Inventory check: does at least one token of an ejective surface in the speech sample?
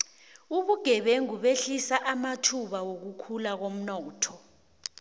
no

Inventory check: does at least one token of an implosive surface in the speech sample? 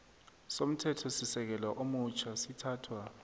no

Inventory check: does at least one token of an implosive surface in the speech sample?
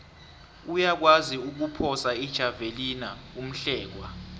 no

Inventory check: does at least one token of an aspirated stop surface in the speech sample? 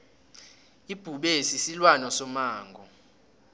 no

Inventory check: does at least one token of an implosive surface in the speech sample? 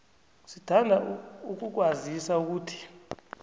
no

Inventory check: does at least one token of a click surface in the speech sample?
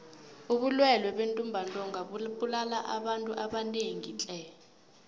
no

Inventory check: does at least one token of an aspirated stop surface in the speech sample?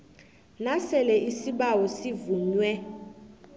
no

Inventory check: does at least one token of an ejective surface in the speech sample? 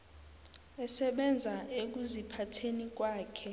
no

